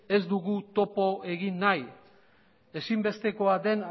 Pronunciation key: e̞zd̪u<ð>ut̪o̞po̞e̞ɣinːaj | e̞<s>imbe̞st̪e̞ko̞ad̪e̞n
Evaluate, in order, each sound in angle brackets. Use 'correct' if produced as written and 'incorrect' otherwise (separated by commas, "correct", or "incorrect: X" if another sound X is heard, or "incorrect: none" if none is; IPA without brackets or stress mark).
incorrect: ɣ, correct